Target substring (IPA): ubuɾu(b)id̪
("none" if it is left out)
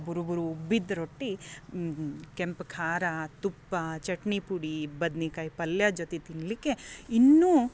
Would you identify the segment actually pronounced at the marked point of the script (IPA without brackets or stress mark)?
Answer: b